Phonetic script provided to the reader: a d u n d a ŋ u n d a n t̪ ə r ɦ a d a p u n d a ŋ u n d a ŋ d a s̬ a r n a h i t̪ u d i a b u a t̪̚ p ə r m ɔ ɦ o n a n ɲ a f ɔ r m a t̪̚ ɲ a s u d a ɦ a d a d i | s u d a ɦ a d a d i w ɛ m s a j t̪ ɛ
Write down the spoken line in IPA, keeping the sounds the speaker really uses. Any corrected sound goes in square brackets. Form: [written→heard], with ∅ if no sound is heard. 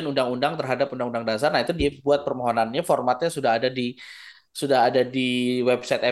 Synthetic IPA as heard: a [d→n] u n d a ŋ u n d a [n→ŋ] t̪ ə r ɦ a d a p u n d a ŋ u n d a ŋ d a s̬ a r n a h i t̪ u d i a b u a t̪̚ p ə r m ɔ ɦ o n a n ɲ a f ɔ r m a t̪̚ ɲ a s u d a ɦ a d a d i | s u d a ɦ a d a d i w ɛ [m→b] s a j t̪ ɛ